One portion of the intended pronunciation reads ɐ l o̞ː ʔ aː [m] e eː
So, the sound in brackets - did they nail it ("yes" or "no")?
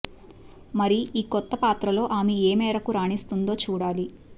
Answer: yes